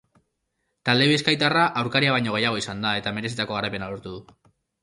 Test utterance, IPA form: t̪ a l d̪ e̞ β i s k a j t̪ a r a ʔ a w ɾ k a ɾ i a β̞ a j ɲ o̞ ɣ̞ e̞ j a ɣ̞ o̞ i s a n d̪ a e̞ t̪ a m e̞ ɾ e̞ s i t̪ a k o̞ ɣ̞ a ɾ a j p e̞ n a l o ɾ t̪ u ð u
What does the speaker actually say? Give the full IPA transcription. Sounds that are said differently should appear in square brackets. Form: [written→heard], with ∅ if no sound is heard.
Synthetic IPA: t̪ a l d̪ e̞ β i s k a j t̪ a r a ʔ a w ɾ k a ɾ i a β̞ a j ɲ o̞ ɣ̞ e̞ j a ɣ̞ o̞ i s a n d̪ a e̞ t̪ a m e̞ ɾ e̞ s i t̪ a k o̞ ɣ̞ a ɾ a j p e̞ n a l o ɾ t̪ u ð u